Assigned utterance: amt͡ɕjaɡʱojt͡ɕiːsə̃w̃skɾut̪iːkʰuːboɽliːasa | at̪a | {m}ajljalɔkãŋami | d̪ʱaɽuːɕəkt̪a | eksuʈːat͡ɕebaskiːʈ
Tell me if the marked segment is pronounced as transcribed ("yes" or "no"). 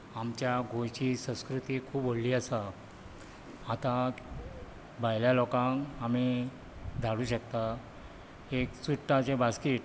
no